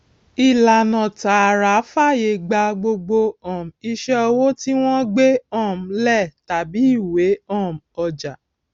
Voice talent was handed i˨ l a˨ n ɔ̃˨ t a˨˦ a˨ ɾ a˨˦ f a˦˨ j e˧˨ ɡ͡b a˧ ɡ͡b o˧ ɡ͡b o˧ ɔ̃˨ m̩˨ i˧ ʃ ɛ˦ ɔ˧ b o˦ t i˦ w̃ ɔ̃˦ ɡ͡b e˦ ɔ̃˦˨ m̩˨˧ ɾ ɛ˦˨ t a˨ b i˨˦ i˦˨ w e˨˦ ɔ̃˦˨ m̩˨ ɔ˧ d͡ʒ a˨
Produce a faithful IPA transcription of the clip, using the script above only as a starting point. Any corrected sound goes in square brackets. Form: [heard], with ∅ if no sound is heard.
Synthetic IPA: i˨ l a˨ n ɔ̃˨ t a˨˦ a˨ ɾ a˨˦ f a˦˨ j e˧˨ ɡ͡b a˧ ɡ͡b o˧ ɡ͡b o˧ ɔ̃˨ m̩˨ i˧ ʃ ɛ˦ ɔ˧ [w] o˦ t i˦ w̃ ɔ̃˦ ɡ͡b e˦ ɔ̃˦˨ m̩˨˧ [l] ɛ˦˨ t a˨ b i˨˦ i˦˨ w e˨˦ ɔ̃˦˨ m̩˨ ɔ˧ d͡ʒ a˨